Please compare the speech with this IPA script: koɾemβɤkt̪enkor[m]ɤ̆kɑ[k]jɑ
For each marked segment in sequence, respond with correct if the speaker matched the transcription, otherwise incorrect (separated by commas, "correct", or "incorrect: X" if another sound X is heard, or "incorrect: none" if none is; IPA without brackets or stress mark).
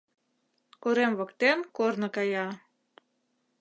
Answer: incorrect: n, incorrect: none